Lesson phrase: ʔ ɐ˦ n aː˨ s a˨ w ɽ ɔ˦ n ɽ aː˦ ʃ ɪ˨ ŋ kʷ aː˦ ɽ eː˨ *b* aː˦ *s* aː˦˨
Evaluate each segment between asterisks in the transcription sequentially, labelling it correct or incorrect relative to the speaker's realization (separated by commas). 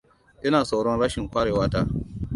incorrect, incorrect